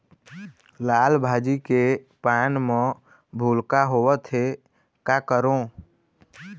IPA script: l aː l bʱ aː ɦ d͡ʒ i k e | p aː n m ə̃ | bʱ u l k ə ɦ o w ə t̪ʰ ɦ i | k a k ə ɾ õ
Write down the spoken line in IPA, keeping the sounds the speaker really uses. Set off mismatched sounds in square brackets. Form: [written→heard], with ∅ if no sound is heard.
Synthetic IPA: l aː l bʱ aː [ɦ→∅] d͡ʒ i k e | p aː n m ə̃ | bʱ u l k [ə→a] ɦ o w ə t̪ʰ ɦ [i→e] | k a k ə ɾ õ